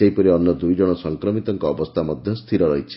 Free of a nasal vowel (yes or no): yes